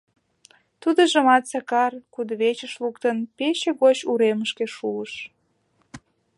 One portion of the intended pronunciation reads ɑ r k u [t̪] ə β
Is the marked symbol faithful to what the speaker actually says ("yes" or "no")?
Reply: no